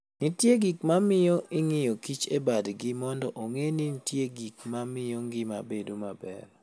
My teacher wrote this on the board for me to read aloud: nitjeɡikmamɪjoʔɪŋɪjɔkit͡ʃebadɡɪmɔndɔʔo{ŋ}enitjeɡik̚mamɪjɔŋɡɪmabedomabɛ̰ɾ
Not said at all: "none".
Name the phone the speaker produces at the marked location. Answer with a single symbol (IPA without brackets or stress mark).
ŋ